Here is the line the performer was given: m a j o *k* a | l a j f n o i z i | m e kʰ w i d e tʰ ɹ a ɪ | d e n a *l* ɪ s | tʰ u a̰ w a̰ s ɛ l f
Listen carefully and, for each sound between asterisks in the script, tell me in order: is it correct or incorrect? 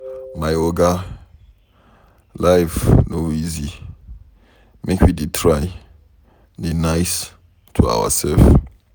incorrect: ɡ, incorrect: none

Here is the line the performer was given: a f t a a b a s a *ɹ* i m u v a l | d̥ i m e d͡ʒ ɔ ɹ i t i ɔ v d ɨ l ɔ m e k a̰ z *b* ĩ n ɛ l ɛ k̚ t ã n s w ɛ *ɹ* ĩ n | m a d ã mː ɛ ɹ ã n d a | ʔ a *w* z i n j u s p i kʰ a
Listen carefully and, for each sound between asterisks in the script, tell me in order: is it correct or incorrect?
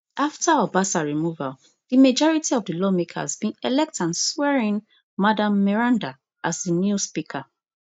correct, correct, correct, incorrect: none

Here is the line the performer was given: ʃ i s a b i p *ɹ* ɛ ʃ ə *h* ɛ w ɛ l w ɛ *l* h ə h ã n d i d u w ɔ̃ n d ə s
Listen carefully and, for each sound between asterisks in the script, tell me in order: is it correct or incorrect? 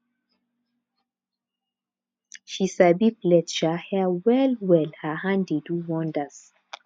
incorrect: l, correct, correct

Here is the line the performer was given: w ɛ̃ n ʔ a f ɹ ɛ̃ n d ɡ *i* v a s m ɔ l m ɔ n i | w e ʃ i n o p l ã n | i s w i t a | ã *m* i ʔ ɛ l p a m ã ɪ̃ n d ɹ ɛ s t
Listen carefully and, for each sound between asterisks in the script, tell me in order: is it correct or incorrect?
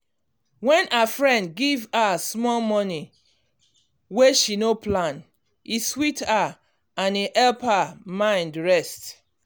correct, incorrect: n

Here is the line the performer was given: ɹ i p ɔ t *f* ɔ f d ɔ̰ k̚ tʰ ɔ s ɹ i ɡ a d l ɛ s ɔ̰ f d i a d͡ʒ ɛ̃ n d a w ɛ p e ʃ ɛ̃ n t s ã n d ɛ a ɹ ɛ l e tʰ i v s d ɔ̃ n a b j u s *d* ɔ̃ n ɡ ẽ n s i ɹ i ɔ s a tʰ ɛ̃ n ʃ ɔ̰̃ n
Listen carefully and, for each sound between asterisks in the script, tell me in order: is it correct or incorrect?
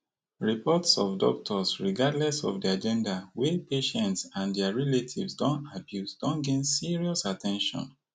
incorrect: s, correct

